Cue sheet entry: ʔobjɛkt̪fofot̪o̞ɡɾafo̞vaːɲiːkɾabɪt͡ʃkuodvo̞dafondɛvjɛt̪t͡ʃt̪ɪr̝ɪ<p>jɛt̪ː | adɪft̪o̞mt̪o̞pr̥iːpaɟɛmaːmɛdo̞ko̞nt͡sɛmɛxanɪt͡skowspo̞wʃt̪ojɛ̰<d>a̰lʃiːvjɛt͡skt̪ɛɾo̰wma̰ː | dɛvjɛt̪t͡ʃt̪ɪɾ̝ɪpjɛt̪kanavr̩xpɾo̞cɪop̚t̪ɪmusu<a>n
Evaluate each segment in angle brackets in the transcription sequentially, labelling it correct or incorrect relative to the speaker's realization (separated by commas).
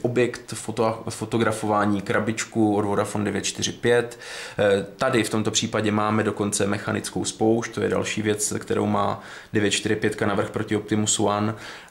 correct, correct, correct